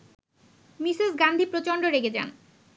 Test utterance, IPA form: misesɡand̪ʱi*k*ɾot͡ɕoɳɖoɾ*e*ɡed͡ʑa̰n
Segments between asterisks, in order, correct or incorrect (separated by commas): incorrect, correct